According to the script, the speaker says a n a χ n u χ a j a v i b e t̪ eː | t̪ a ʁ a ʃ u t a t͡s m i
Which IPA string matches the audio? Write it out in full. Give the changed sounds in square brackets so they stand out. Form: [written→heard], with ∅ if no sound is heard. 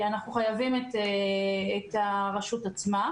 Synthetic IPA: a n a χ n u χ a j a v i [b→m] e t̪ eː | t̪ a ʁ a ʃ u t a t͡s m [i→a]